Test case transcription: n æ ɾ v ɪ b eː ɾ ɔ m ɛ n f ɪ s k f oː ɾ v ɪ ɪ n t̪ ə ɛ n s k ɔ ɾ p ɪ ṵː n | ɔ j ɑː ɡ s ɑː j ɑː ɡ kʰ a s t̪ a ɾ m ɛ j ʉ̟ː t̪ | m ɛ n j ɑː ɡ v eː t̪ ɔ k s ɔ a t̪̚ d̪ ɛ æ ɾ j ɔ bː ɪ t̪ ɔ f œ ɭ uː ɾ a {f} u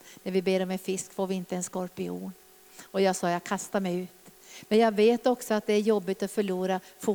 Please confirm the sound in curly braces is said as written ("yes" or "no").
yes